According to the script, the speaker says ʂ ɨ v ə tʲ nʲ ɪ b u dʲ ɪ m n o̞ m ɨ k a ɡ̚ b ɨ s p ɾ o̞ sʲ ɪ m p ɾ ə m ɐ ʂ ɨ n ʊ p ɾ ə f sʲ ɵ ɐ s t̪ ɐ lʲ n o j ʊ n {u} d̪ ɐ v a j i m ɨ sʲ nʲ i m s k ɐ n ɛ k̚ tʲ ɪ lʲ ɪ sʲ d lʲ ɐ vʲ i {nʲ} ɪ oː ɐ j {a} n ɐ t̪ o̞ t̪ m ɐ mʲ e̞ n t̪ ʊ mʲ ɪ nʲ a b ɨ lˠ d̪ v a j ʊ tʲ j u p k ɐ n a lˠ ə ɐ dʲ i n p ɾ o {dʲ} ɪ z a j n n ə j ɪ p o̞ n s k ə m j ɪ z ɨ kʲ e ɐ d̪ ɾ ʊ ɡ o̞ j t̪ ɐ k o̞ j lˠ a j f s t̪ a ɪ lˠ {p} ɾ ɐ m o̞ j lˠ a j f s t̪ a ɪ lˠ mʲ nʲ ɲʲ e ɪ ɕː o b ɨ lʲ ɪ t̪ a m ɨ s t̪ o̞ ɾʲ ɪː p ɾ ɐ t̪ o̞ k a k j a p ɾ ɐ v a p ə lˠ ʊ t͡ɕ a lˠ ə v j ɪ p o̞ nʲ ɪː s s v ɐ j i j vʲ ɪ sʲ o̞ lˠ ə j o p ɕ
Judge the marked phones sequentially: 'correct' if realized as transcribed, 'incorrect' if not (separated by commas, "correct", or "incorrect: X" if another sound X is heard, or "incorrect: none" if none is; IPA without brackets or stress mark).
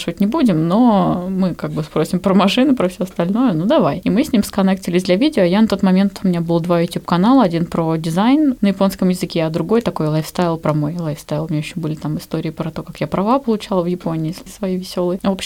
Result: correct, incorrect: dʲ, correct, correct, correct